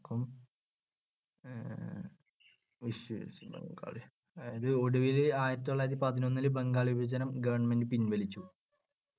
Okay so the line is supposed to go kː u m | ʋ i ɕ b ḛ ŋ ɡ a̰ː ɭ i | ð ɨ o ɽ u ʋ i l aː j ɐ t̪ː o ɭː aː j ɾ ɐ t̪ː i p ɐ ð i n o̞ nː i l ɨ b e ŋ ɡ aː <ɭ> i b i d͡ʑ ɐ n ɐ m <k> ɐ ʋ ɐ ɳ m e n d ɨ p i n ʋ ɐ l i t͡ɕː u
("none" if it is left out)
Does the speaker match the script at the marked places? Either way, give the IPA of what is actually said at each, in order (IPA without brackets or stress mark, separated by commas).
ɭ, ɡ